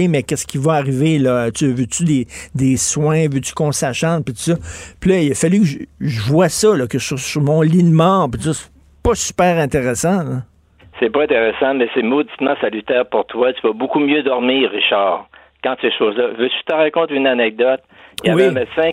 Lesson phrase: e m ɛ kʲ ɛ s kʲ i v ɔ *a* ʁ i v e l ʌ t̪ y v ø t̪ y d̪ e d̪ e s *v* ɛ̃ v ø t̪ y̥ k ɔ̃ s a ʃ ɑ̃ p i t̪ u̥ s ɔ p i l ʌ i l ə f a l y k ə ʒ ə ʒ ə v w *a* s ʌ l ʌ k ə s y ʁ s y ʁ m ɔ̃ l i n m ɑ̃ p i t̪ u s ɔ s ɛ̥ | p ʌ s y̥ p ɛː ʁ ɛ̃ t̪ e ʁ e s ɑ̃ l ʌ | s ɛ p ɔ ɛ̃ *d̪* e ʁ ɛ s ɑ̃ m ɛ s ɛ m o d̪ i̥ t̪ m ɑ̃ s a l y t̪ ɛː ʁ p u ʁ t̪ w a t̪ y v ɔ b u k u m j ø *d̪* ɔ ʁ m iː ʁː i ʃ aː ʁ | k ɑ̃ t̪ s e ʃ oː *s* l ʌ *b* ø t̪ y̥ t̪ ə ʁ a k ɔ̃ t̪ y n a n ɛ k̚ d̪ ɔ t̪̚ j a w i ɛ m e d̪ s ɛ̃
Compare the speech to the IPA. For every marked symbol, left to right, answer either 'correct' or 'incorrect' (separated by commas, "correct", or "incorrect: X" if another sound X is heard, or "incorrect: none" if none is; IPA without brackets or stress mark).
correct, incorrect: w, correct, incorrect: t̪, correct, incorrect: z, incorrect: v